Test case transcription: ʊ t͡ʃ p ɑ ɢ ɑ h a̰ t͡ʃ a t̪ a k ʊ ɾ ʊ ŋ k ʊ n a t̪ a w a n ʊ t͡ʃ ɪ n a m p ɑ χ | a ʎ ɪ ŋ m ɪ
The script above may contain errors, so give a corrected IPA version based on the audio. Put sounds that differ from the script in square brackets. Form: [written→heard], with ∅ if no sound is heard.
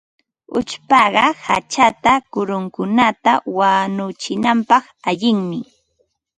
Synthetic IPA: ʊ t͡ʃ p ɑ ɢ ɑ h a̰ t͡ʃ a t̪ a k ʊ ɾ ʊ ŋ k ʊ n a t̪ a w a n ʊ t͡ʃ ɪ n a m p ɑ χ | a ʎ ɪ ŋ m ɪ